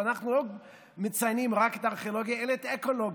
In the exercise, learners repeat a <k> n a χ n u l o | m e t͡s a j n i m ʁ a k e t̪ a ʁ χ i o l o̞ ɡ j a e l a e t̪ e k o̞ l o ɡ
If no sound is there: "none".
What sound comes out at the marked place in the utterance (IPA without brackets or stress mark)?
none